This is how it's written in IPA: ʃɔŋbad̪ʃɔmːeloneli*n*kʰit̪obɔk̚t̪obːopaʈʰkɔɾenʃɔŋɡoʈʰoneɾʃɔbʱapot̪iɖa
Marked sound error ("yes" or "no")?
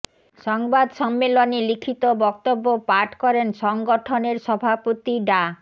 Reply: yes